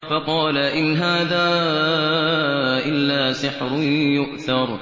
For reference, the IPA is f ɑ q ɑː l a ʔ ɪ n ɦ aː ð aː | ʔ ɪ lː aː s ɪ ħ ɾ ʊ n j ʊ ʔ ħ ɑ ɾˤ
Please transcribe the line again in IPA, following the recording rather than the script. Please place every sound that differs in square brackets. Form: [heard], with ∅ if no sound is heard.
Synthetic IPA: f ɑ q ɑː l a ʔ ɪ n ɦ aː ð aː | ʔ ɪ lː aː s ɪ ħ ɾ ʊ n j ʊ ʔ [θ] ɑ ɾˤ